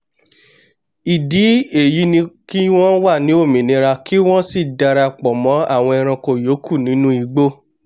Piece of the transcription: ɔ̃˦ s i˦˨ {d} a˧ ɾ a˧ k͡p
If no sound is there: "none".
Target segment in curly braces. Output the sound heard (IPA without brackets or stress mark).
d